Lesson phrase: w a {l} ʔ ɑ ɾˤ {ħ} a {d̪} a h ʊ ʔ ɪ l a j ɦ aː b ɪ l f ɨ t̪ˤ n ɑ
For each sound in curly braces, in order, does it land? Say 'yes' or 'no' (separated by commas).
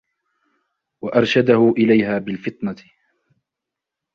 no, no, yes